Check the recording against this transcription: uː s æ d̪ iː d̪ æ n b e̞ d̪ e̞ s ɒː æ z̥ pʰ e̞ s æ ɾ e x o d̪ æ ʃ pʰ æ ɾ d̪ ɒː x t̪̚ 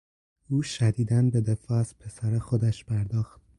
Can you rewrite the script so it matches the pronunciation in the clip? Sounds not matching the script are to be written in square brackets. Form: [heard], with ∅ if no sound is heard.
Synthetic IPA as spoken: uː [ʃ] æ d̪ iː d̪ æ n b e̞ d̪ e̞ [f] ɒː æ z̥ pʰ e̞ s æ ɾ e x o d̪ æ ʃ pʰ æ ɾ d̪ ɒː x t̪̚